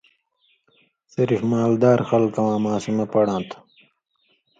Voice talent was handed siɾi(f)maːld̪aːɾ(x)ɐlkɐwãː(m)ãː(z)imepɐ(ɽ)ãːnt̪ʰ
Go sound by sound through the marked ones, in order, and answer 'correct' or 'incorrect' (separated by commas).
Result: correct, correct, correct, incorrect, correct